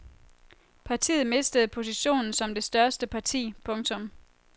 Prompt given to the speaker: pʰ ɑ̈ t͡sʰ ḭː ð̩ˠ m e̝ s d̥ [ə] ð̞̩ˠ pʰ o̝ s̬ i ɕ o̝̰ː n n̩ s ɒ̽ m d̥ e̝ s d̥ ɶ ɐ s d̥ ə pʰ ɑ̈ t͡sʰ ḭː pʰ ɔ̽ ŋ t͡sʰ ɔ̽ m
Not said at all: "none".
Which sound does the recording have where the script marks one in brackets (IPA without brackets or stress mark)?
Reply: ə